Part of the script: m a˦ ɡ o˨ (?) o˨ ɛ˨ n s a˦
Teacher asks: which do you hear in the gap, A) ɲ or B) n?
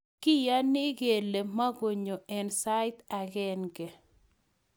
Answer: A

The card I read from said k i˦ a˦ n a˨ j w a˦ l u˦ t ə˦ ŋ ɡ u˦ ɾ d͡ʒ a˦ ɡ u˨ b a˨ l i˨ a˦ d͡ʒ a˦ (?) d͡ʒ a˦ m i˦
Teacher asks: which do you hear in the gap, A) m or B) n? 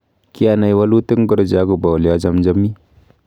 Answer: A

